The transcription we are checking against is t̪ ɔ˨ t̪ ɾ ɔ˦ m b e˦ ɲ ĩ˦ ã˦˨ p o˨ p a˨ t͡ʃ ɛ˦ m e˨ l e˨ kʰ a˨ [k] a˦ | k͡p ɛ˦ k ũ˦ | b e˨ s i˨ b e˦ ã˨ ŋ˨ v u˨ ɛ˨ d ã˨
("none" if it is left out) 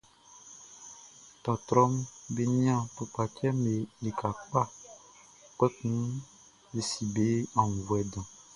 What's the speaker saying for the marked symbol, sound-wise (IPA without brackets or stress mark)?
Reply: k͡p